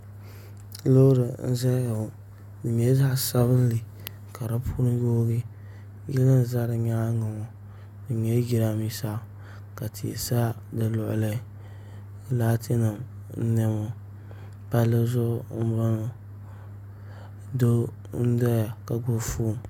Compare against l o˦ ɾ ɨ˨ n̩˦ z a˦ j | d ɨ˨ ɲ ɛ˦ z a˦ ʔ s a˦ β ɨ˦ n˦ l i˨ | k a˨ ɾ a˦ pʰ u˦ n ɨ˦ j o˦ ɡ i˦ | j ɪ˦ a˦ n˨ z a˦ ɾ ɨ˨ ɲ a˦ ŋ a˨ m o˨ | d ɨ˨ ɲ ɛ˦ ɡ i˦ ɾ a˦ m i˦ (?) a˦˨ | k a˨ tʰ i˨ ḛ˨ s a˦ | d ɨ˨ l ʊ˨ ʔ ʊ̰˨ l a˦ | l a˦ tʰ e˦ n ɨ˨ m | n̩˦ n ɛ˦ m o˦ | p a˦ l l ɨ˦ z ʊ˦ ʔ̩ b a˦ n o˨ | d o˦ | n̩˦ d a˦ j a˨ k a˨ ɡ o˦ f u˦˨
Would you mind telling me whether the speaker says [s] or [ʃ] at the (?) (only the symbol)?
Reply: s